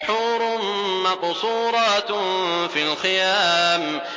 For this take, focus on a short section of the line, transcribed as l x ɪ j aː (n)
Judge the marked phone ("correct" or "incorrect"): incorrect